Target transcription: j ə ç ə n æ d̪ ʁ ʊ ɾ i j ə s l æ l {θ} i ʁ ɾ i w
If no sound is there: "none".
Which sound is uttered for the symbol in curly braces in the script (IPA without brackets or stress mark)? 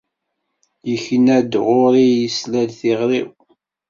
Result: θ